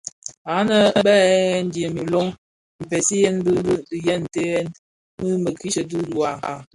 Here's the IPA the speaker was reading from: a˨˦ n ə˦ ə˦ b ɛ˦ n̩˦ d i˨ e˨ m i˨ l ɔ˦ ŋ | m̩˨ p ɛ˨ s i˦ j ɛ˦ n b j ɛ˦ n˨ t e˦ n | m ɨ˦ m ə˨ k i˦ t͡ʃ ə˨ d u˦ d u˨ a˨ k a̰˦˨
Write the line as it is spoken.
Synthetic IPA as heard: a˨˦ n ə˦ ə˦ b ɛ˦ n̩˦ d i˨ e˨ m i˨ l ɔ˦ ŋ | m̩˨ p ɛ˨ s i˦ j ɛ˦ n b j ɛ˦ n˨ t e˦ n | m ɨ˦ m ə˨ k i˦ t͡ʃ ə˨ d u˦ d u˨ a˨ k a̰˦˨